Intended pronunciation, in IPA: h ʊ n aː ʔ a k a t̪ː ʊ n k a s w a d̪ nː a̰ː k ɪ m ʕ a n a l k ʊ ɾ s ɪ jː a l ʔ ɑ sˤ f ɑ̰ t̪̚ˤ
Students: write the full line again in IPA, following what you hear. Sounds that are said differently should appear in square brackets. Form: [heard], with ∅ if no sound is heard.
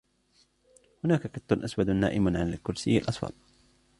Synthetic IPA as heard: h ʊ n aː [k] a k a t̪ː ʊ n [ʔ] a s w a d̪ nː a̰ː [ʔ] ɪ m ʕ a n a l k ʊ ɾ s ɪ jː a l ʔ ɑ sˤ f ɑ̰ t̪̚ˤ